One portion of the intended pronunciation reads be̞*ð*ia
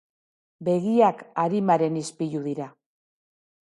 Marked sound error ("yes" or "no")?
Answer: yes